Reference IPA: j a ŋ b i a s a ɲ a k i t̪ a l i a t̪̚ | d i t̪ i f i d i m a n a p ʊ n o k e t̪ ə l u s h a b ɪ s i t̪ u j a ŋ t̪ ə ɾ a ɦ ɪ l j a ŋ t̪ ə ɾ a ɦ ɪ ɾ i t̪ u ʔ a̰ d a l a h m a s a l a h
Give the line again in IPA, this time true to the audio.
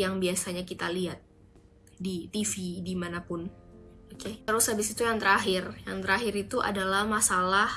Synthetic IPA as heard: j a ŋ b i a s a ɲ a k i t̪ a l i a t̪̚ | d i t̪ i f i d i m a n a p ʊ n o k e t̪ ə ɾ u s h a b ɪ s i t̪ u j a ŋ t̪ ə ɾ a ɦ ɪ r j a ŋ t̪ ə ɾ a ɦ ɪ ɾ i t̪ u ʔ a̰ d a l a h m a s a l a h